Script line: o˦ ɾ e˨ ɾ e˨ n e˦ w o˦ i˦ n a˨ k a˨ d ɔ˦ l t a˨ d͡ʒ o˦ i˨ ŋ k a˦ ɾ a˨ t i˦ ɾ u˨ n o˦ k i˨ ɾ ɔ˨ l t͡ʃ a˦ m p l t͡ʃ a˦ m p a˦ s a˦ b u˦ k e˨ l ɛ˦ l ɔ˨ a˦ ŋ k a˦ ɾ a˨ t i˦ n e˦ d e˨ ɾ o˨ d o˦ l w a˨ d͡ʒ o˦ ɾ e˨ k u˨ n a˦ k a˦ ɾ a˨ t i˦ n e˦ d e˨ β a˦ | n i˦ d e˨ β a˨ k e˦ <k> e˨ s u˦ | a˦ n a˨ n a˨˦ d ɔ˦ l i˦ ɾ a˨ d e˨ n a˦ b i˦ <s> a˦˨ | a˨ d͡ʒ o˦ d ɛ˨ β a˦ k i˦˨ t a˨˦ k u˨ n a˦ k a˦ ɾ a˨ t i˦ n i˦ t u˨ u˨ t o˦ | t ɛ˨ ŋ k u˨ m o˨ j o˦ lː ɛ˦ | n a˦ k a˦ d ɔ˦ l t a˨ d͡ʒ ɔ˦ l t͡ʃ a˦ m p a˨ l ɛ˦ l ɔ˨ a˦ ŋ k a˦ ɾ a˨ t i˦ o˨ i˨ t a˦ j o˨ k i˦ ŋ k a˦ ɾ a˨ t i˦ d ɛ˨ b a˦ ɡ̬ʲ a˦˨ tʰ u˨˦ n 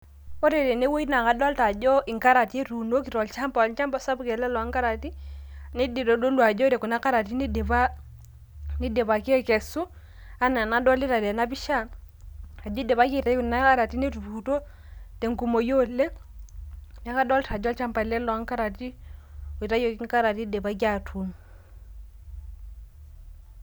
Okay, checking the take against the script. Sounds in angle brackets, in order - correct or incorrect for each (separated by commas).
correct, incorrect